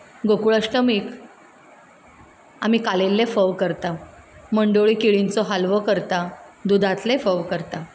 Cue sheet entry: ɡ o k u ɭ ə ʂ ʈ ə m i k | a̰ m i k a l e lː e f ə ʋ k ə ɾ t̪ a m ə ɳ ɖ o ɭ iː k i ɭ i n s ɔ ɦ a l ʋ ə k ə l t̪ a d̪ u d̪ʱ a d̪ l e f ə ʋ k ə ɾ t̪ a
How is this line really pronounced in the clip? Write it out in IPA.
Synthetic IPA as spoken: ɡ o k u ɭ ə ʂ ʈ ə m i k | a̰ m i k a l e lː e f ə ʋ k ə ɾ t̪ a m ə ɳ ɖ o ɭ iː k i ɭ i n t͡s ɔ ɦ a l ʋ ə k ə ɾ t̪ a d̪ u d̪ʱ a t̪ l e f ə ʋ k ə ɾ t̪ a